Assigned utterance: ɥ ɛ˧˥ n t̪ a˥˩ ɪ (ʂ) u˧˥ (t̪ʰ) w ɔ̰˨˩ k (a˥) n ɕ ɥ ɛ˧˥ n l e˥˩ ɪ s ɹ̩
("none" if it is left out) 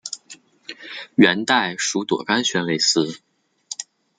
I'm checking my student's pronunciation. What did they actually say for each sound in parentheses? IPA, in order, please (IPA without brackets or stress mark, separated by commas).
ʂ, t̪, a˥